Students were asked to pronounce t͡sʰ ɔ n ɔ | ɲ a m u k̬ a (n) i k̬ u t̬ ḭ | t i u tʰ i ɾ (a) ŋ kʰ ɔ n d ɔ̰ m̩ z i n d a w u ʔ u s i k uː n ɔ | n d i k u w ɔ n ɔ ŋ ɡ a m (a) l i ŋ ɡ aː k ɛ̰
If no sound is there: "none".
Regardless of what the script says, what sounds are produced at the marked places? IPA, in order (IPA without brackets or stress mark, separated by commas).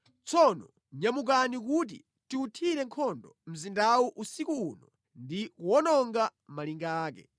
n, ɛ, a